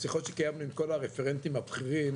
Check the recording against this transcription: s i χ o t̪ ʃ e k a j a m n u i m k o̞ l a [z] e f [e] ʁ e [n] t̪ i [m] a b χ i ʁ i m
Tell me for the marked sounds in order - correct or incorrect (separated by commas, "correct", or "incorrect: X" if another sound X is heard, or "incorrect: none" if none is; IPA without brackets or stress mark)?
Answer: incorrect: ʁ, correct, correct, correct